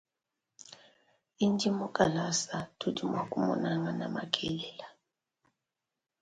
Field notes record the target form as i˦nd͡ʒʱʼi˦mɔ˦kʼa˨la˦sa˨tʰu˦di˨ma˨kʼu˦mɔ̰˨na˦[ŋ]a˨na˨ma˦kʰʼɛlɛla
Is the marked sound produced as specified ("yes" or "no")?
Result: yes